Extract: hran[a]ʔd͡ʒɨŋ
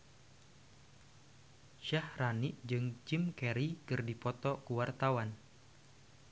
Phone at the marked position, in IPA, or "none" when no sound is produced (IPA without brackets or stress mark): i